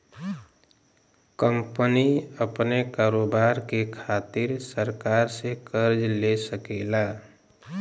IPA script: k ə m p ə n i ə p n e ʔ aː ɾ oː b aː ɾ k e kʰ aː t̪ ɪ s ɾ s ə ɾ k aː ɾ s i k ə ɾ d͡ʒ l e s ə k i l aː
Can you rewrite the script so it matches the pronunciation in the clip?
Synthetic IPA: k ə m p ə n i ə p n e k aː ɾ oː b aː ɾ k e kʰ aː t̪ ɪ ɾ s ə ɾ k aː ɾ s e k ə ɾ d͡ʒ l e s ə k e l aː

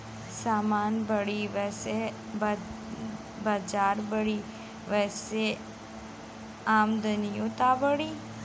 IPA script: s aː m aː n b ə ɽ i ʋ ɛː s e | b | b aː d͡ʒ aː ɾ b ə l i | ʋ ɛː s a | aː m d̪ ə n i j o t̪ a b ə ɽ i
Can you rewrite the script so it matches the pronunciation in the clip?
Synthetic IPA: s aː m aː n b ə ɽ i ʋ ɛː s e | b | b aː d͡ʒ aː ɾ b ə ɽ i | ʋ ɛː s e | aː m d̪ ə n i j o t̪ a b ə ɽ i

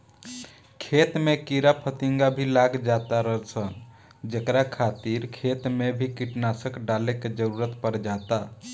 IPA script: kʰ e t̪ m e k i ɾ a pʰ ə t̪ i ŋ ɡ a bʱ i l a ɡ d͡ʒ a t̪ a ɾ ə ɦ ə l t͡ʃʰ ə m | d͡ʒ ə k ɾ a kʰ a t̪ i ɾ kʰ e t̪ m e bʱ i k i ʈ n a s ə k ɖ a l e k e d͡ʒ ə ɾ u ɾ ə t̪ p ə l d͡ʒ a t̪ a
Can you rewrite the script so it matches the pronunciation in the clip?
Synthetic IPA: kʰ e t̪ m e k i ɾ a pʰ ə t̪ i ŋ ɡ a bʱ i l a ɡ d͡ʒ a t̪ a ɾ ə ɦ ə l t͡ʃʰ ə n | d͡ʒ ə k ɾ a kʰ a t̪ i ɾ kʰ e t̪ m e bʱ i k i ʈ n a s ə k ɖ a l e k e d͡ʒ ə ɾ u ɾ ə t̪ p ə ɾ d͡ʒ a t̪ a

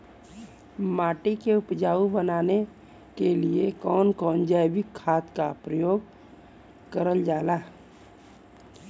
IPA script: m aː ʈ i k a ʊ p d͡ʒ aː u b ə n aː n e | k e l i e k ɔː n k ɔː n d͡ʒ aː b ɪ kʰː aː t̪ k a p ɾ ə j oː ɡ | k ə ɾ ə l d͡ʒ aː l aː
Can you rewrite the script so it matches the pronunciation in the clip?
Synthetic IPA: m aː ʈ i k e ʊ p d͡ʒ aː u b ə n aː n e | k e l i e k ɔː n k ɔː n d͡ʒ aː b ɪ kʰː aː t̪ k a p ɾ ə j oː ɡ | k ə ɾ ə l d͡ʒ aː l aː

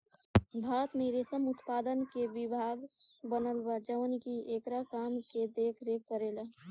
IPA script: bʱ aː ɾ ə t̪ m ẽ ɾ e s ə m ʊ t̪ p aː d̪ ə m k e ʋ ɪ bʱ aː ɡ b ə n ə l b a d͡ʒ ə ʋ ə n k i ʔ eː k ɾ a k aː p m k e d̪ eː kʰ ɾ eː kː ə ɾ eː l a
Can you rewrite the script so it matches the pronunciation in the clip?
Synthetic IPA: bʱ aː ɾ ə t̪ m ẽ ɾ e s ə m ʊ t̪ p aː d̪ ə n k e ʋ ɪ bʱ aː ɡ b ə n ə l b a d͡ʒ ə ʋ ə n k i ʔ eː k ɾ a k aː m k e d̪ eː kʰ ɾ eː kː ə ɾ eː l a

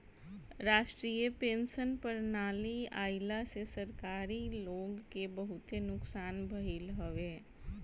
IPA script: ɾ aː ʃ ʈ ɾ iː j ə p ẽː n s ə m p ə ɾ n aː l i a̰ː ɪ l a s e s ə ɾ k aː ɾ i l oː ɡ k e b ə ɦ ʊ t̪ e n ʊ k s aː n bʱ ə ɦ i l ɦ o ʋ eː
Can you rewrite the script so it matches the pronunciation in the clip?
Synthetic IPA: ɾ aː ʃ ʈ ɾ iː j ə p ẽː n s ə n p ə ɾ n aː l i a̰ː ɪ l a s e s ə ɾ k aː ɾ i l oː ɡ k e b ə ɦ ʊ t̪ e n ʊ k s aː n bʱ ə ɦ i l ɦ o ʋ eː

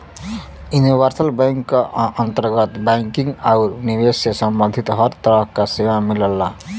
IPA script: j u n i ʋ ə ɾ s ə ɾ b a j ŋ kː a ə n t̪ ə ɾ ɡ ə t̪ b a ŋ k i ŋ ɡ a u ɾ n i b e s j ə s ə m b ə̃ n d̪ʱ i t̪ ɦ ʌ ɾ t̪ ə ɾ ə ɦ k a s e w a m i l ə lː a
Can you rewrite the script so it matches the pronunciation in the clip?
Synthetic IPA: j u n i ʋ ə ɾ s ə l b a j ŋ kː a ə n t̪ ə ɾ ɡ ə t̪ b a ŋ k i ŋ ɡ a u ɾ n i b e s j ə s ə m b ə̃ n d̪ʱ i t̪ ɦ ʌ ɾ t̪ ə ɾ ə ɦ k a s e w a m i l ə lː a

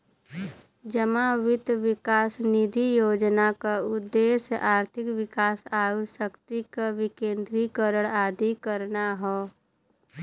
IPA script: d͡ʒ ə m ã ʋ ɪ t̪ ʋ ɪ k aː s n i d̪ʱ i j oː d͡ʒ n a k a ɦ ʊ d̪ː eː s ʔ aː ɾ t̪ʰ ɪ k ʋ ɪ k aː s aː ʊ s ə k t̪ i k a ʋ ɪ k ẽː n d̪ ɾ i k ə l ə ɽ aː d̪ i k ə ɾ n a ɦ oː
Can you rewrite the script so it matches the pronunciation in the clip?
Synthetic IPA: d͡ʒ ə m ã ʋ ɪ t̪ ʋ ɪ k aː s n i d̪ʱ i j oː d͡ʒ n a k a ʊ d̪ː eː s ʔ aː ɾ t̪ʰ ɪ k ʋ ɪ k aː s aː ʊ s ə k t̪ i k a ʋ ɪ k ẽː n d̪ ɾ i k ə ɾ ə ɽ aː d̪ i k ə ɾ n a ɦ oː

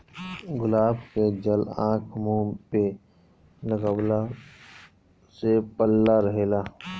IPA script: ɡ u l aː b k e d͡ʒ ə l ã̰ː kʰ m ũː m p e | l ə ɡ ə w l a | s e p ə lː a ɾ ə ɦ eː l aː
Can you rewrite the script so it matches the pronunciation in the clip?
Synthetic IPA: ɡ ʊ l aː b k e d͡ʒ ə l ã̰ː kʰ m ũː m p e | l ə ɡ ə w l a | s e p ə lː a ɾ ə ɦ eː l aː

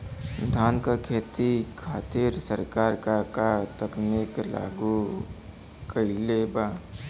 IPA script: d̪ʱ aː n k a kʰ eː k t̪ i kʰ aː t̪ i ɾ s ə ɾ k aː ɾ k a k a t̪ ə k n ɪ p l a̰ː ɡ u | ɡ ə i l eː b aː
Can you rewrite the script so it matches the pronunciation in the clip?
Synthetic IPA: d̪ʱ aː n k a kʰ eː t̪ i kʰ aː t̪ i ɾ s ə ɾ k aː ɾ k a k a t̪ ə k n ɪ k l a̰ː ɡ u | k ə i l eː b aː

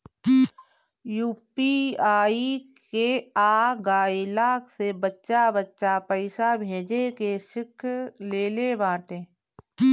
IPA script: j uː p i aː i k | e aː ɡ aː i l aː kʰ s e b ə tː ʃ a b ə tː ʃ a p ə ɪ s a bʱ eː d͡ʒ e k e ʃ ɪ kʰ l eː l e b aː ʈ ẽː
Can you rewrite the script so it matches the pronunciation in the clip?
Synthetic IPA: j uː p i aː i k | e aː ɡ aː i l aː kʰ s e b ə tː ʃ a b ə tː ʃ a p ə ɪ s a bʱ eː d͡ʒ e k e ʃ ɪ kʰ l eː l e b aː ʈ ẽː

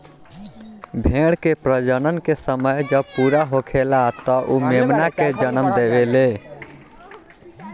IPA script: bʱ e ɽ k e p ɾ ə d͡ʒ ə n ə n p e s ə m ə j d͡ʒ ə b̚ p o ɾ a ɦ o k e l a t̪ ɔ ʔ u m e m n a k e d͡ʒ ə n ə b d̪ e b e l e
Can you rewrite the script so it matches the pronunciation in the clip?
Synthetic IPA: bʱ e ɽ k e p ɾ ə d͡ʒ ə n ə n k e s ə m ə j d͡ʒ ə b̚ p u ɾ a ɦ o kʰ e l a t̪ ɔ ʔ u m e m n a k e d͡ʒ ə n ə m d̪ e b e l e

